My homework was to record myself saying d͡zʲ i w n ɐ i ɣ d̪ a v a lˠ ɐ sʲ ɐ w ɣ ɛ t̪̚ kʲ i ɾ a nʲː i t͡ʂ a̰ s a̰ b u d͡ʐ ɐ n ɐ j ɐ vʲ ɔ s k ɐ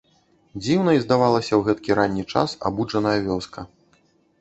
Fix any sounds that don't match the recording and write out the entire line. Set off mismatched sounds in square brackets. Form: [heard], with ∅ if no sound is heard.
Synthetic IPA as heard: d͡zʲ i w n ɐ i [z] d̪ a v a lˠ ɐ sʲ ɐ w ɣ ɛ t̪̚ kʲ i ɾ a nʲː i t͡ʂ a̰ s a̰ b u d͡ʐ ɐ n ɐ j ɐ vʲ ɔ s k ɐ